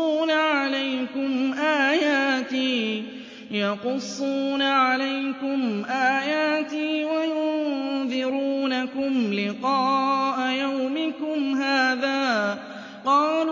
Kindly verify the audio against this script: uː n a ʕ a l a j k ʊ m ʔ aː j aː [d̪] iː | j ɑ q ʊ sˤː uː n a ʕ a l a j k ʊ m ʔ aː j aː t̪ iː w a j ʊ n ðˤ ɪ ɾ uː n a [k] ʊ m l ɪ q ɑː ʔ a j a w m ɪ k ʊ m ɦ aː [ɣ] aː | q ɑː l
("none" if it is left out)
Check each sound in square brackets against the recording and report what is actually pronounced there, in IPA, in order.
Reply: t̪, k, ð

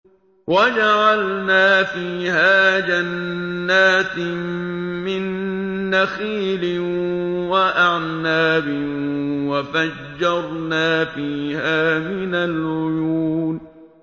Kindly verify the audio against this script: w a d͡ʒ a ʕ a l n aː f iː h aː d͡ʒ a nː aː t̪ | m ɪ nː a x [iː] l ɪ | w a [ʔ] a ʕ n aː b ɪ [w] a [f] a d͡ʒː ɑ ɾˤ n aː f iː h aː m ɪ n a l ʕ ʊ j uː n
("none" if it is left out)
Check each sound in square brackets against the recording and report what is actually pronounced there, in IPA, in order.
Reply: iː, ʔ, w, f

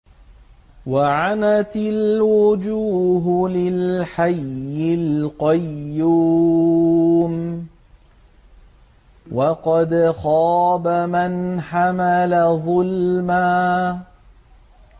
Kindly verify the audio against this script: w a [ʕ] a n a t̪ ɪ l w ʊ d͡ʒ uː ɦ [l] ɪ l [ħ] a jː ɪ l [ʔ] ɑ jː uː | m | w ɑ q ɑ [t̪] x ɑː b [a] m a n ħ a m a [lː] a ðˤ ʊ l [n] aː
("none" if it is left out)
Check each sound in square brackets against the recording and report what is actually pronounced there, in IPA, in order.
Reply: ʕ, l, ħ, q, d̪, a, l, m

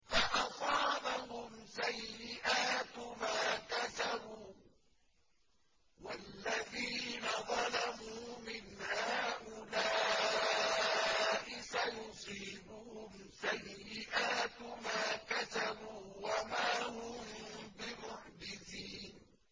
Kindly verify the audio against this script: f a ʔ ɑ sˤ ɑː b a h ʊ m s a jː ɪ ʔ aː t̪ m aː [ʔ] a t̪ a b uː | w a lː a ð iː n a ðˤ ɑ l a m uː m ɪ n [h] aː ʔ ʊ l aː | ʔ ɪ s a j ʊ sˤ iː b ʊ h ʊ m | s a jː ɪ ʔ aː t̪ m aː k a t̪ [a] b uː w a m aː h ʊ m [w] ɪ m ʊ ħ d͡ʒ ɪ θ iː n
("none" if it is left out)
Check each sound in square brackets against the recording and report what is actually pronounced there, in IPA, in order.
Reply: k, h, a, b

